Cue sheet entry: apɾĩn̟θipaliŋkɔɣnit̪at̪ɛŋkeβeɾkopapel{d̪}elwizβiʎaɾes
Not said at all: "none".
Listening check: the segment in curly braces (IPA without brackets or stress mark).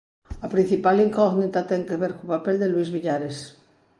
d̪